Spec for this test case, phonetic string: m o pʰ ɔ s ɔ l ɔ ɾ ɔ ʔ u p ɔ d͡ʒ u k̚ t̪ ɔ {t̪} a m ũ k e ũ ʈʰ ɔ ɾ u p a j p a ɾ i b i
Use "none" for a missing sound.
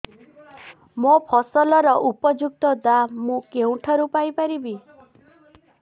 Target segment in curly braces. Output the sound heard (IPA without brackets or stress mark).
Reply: d̪